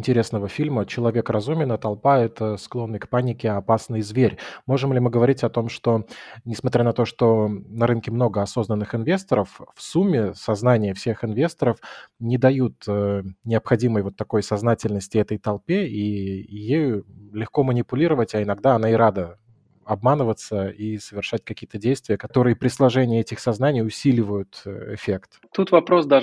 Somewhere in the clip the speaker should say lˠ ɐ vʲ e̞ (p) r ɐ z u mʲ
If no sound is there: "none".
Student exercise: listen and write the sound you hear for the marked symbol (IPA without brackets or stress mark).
k